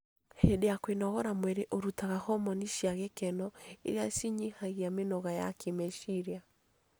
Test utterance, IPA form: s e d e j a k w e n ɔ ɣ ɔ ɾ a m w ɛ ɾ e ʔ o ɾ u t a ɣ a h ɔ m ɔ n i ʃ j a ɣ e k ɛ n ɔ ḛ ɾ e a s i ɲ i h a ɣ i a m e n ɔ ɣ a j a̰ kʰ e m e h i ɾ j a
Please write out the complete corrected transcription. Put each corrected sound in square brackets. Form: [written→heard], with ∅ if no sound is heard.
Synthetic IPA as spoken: [s→h] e d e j a k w e n ɔ ɣ ɔ ɾ a m w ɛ ɾ e ʔ o ɾ u t a ɣ a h ɔ m ɔ n i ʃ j a ɣ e k ɛ n ɔ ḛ ɾ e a s i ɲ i h a ɣ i a m e n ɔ ɣ a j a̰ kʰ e m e [h→ʃ] i ɾ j a